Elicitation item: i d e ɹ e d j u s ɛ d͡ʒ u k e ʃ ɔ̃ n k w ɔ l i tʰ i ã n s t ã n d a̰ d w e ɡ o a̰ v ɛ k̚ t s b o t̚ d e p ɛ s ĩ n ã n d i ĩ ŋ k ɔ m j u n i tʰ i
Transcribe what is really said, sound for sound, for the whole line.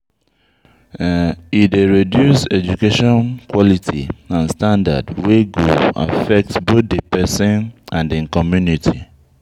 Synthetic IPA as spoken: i d e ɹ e d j u s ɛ d͡ʒ u k e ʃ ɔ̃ n k w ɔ l i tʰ i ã n s t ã n d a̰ d w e ɡ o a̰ f ɛ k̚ t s b o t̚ d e p ɛ s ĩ n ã n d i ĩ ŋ k ɔ m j u n i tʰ i